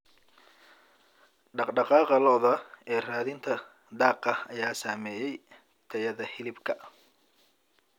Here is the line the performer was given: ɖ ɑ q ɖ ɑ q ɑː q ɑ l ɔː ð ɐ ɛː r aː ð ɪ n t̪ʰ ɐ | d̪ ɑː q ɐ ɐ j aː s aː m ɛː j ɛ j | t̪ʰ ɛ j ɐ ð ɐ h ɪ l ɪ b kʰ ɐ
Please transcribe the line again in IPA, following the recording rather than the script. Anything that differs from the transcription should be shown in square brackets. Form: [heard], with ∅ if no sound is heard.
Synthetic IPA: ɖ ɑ q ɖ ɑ q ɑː q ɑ l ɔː ð ɐ ɛː r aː ð ɪ n t̪ʰ ɐ | d̪ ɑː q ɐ ɐ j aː s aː m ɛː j ɛ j | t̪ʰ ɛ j ɐ ð ɐ h ɪ l ɪ b kʰ ɐ